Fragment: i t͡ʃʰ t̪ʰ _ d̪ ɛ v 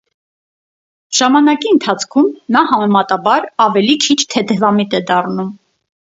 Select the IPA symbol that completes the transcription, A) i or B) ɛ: B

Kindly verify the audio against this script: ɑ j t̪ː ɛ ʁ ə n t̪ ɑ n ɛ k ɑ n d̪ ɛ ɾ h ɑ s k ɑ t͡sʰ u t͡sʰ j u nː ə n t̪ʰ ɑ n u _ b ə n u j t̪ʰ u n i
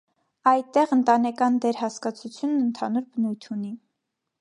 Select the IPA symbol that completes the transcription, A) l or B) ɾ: B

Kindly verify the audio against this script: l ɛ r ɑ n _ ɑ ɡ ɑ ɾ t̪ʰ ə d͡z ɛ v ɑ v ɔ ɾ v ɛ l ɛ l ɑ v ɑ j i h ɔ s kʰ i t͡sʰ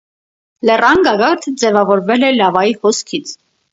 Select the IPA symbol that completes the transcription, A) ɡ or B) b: A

